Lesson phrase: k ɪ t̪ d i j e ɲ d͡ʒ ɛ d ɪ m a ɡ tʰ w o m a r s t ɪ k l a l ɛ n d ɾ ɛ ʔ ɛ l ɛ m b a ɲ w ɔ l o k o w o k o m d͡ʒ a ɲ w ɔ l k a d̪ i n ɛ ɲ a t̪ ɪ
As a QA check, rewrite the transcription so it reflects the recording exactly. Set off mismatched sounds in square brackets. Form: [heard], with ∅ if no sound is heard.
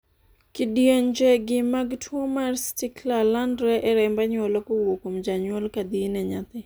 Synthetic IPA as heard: k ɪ [∅] d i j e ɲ d͡ʒ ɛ [ɡ] ɪ m a ɡ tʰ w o m a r s t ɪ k l a l [a] n d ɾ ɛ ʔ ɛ [ɾ] ɛ m b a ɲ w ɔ l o k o w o k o m d͡ʒ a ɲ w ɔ l k a d̪ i n ɛ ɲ a t̪ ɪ